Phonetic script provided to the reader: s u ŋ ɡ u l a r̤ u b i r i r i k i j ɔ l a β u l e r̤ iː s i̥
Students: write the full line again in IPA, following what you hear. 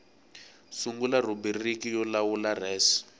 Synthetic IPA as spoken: s u ŋ ɡ u l a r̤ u b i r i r i k i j ɔ l a w u l a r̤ ɛː s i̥